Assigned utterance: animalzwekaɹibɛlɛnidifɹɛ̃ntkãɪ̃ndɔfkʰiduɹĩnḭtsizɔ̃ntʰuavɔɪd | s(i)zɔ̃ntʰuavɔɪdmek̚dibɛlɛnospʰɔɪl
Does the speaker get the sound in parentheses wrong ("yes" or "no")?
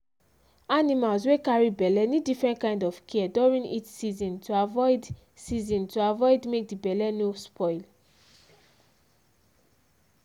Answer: no